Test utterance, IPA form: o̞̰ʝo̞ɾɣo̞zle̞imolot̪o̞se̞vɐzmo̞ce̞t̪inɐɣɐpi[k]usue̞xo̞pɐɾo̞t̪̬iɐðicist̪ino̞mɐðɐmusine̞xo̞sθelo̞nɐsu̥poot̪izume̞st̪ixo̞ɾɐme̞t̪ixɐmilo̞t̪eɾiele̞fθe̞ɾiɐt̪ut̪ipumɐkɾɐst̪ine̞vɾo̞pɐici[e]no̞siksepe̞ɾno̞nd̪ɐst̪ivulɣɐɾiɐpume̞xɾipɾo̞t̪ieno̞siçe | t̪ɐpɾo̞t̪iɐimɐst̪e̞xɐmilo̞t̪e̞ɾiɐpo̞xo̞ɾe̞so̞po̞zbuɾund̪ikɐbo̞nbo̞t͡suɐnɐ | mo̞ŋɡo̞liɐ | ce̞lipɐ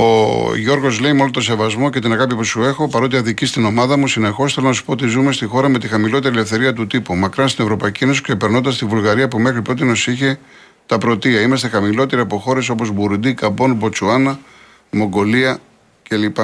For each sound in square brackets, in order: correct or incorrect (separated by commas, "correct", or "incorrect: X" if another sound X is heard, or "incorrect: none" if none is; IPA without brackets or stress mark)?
incorrect: p, correct